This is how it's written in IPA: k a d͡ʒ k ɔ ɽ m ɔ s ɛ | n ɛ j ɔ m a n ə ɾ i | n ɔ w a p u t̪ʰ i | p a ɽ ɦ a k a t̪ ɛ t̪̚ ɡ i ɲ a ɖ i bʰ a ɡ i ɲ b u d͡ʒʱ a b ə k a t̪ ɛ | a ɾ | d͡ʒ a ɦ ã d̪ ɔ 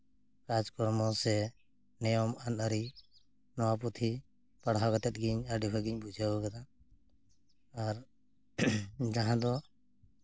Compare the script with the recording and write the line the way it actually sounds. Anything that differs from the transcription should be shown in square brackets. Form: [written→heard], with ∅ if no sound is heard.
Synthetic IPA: k a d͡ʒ k ɔ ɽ m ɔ s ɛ | n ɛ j ɔ m a n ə ɾ i | n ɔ w a p u t̪ʰ i | p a ɽ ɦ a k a t̪ ɛ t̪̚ ɡ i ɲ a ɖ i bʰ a ɡ i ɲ b u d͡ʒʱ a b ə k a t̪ [ɛ→a] | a ɾ | d͡ʒ a ɦ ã d̪ ɔ